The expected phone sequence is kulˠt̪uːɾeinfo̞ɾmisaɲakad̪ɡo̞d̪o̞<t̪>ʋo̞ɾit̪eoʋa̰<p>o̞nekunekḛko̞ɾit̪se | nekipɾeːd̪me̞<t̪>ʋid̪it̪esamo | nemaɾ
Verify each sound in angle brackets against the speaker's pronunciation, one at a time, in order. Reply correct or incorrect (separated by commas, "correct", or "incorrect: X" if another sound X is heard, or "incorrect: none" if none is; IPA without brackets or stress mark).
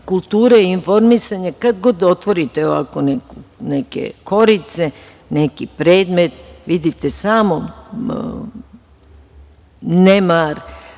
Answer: correct, incorrect: k, correct